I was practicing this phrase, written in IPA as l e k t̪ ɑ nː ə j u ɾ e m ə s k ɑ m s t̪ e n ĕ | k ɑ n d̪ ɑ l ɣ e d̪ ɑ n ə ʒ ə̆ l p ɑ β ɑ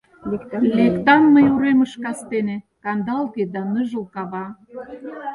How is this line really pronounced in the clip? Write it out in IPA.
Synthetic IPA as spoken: l e k t̪ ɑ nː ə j u ɾ e m ə ʃ k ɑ s t̪ e n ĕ | k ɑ n d̪ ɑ l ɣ e d̪ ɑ n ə ʒ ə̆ l k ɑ β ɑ